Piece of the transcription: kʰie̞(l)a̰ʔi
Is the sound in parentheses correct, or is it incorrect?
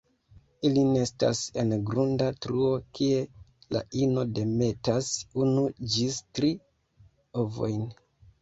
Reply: correct